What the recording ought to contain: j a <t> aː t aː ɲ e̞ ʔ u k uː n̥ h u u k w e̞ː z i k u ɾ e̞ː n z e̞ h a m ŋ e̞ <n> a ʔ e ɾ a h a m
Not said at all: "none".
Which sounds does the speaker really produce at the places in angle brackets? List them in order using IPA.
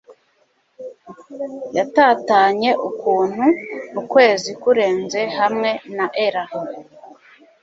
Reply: t, n

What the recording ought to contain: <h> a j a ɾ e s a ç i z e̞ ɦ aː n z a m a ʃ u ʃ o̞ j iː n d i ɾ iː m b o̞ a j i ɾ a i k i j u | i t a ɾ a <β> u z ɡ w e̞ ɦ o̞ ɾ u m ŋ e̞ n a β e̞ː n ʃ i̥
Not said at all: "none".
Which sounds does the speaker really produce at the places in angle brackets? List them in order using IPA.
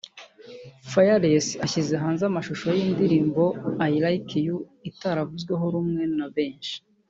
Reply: f, v

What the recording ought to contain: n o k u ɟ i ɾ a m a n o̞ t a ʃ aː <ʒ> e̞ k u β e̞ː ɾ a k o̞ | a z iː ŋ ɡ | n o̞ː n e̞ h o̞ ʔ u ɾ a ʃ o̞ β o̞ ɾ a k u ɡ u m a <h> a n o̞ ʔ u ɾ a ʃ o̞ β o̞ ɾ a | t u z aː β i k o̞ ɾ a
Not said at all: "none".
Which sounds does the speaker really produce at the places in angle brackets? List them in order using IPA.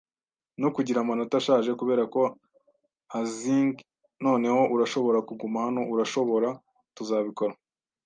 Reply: ʒ, h

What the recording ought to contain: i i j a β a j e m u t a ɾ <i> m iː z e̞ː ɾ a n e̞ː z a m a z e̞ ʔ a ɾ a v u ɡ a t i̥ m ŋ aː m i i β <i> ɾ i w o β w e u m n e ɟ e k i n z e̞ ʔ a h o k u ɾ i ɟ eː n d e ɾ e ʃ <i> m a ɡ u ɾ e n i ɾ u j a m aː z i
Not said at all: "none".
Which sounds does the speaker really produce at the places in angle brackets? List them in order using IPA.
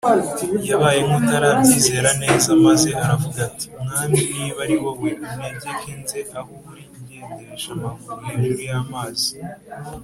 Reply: a, a, a

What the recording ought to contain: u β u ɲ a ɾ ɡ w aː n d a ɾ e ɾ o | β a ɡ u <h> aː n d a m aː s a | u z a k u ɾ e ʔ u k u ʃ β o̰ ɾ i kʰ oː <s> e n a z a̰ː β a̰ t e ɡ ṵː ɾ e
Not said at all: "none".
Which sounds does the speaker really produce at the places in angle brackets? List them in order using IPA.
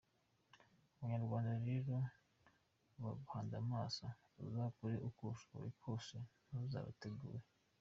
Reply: h, s

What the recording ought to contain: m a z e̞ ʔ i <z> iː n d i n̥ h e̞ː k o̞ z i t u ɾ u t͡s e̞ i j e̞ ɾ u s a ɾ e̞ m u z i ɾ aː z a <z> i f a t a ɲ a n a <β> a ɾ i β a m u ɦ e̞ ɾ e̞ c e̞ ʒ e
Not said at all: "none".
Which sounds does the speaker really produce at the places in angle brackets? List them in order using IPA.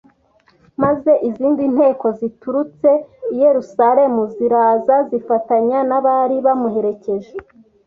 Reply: z, z, β

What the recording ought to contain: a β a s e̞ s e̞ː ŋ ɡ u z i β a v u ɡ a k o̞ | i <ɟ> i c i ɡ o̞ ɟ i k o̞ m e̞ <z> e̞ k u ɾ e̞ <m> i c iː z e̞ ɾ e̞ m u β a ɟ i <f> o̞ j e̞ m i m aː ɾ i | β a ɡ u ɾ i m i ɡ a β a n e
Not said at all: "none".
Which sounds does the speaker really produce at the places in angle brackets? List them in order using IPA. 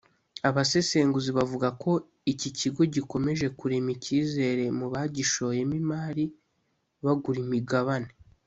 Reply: c, ʒ, m, ʃ

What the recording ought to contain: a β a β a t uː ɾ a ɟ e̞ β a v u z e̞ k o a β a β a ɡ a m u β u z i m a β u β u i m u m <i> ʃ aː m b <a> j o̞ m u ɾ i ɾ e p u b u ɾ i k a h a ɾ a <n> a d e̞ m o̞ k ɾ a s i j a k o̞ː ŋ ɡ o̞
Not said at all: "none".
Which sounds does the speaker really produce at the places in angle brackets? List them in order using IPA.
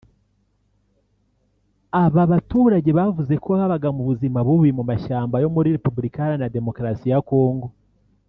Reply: a, a, n

